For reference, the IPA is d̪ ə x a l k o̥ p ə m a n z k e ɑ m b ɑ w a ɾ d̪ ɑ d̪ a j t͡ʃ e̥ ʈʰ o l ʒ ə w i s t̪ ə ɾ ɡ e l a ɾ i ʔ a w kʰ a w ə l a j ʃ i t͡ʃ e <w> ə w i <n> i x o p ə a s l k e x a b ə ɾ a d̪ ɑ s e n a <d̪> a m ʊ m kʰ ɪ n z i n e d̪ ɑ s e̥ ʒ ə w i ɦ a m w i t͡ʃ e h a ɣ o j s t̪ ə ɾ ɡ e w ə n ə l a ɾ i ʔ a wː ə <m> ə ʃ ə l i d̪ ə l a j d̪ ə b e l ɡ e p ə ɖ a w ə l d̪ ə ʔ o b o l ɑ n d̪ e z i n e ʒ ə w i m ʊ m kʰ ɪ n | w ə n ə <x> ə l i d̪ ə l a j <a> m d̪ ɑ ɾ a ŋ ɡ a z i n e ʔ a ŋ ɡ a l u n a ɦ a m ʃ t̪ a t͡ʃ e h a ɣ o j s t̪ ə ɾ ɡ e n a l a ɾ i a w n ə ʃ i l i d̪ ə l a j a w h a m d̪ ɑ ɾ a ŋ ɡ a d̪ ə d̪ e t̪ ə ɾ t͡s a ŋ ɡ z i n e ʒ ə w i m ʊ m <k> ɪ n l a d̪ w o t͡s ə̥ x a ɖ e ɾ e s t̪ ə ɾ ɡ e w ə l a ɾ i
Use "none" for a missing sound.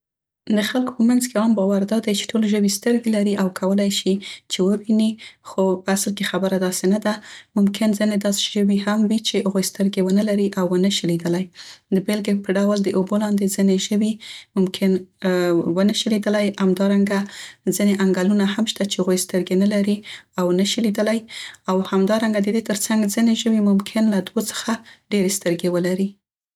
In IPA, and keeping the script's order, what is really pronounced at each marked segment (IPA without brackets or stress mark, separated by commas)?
w, n, d̪, n, ʃ, a, kʰ